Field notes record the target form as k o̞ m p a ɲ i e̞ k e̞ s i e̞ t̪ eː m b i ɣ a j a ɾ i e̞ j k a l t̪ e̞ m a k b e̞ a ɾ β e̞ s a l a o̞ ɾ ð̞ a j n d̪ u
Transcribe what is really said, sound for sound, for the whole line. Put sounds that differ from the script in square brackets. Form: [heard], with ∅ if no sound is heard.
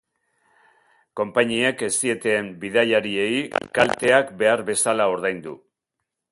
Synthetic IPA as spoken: k o̞ m p a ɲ i e̞ k e̞ s i e̞ t̪ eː m b i [ð] a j a ɾ i e̞ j k a l t̪ e̞ [∅] a k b e̞ a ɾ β e̞ s a l a o̞ ɾ ð̞ a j n d̪ u